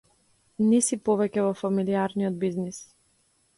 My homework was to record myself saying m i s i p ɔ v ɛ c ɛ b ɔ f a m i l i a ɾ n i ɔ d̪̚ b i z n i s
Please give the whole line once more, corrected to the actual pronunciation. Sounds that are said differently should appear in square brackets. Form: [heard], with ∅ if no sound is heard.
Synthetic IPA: [n] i s i p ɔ v ɛ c ɛ [v] ɔ f a m i l i a ɾ n i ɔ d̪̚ b i z n i s